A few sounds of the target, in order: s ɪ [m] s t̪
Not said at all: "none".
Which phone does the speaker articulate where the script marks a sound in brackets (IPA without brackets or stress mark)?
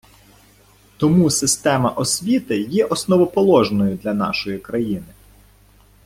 none